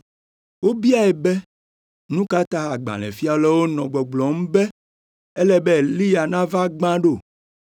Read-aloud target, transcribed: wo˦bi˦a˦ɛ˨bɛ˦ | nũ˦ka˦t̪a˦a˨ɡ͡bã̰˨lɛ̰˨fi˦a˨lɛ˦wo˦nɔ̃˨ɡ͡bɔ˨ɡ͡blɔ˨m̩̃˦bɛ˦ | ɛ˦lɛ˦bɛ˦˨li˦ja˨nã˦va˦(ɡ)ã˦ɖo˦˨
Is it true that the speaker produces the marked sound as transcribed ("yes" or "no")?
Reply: no